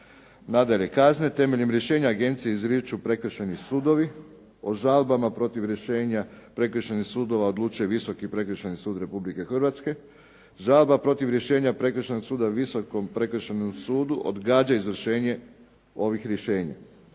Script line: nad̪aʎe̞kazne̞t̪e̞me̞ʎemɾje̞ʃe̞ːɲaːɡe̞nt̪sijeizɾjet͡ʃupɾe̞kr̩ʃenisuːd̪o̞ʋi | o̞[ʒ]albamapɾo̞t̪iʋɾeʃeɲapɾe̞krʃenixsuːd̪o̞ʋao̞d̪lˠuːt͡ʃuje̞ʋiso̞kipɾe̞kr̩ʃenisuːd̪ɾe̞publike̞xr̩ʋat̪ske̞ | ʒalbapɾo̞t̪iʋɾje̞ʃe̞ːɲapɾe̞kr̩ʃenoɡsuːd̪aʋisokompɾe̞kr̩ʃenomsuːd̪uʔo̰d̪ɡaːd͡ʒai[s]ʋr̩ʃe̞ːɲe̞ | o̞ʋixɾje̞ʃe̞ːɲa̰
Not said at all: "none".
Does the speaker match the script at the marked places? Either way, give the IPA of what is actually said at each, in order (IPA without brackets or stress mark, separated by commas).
ʒ, z